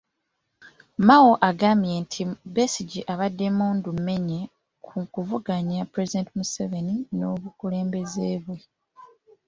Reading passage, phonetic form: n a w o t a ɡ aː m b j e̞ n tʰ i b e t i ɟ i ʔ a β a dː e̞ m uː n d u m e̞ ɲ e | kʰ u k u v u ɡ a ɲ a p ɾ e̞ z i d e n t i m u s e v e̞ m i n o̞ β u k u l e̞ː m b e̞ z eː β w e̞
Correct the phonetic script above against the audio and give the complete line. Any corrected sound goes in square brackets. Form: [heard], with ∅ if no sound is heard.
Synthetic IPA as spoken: [m] a w o [ʔ] a ɡ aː m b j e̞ n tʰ i b e [s] i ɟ i ʔ a β a dː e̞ m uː n d u m e̞ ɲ e | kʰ u k u v u ɡ a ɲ a p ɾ e̞ z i d e n t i m u s e v e̞ [n] i n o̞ β u k u l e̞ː m b e̞ z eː β w e̞